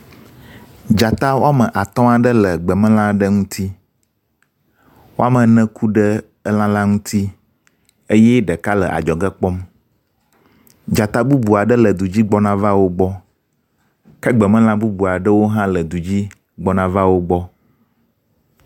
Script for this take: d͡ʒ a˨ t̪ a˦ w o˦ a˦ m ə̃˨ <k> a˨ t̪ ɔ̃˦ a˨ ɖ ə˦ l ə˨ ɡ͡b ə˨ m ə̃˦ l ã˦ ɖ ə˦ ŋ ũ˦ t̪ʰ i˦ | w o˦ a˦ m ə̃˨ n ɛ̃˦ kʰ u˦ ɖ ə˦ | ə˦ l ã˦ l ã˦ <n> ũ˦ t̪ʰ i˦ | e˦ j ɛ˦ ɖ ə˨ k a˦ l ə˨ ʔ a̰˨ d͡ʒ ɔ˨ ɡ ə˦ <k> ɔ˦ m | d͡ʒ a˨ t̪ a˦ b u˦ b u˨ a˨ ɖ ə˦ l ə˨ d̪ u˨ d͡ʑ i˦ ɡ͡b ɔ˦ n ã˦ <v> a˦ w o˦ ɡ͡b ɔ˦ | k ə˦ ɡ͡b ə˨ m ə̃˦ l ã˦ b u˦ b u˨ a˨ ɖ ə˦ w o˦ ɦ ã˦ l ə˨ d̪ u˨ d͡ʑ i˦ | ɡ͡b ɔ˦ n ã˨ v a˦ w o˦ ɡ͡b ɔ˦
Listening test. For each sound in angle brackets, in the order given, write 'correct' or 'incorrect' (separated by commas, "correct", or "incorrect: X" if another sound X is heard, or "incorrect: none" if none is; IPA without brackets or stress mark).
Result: incorrect: ʔ, incorrect: ŋ, incorrect: k͡p, correct